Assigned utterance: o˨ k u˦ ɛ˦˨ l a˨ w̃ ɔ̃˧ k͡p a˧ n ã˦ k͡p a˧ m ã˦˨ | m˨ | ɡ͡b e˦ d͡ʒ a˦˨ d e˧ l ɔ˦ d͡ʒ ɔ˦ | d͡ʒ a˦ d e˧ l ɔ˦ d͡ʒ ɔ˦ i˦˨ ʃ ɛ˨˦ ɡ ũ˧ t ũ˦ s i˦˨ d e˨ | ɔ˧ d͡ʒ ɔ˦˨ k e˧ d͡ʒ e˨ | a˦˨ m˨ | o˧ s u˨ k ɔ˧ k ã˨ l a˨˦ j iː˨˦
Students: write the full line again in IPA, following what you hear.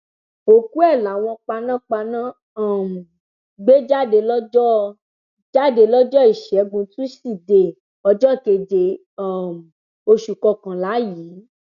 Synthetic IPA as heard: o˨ k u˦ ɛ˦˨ l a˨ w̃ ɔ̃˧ k͡p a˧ n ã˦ k͡p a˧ n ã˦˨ | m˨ | ɡ͡b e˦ d͡ʒ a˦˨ d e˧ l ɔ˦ d͡ʒ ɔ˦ | d͡ʒ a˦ d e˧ l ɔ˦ d͡ʒ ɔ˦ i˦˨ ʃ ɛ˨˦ ɡ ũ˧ t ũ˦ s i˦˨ d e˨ | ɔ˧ d͡ʒ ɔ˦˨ k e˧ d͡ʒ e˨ | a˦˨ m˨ | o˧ ʃ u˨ k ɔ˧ k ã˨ l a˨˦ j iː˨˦